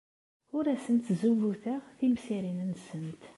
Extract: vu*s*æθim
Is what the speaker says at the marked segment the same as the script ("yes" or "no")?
no